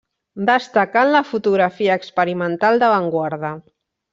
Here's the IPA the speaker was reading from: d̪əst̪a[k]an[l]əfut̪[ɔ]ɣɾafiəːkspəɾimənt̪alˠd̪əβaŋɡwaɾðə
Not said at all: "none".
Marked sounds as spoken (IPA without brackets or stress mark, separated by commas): k, l, u